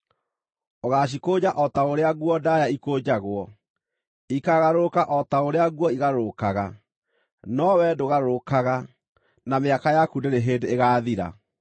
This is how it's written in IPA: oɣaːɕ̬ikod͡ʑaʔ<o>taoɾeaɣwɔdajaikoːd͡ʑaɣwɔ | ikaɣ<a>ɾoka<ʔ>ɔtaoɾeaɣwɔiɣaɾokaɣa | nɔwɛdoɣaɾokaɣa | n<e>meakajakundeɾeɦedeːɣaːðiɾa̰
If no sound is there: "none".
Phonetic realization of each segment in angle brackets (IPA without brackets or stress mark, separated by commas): ɔ, a, ʔ, a